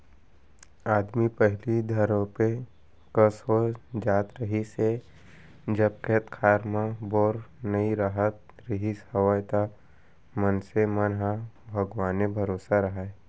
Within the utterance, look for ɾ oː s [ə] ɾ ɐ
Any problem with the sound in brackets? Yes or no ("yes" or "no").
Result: yes